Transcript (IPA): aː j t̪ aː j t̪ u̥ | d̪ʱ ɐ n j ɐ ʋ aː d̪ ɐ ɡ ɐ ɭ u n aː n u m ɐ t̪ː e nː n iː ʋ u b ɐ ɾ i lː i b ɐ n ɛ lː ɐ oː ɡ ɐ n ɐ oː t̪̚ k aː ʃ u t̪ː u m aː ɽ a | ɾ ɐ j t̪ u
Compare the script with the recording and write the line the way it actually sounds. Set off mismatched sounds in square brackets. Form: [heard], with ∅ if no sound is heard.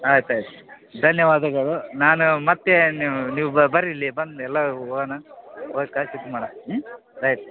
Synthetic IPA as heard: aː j t̪ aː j t̪ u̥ | d̪ʱ ɐ n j ɐ ʋ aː d̪ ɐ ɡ ɐ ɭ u n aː n u m ɐ t̪ː e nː n iː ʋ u b ɐ ɾ i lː i b ɐ n ɛ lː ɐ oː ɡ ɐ n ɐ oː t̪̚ k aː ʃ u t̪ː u m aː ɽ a | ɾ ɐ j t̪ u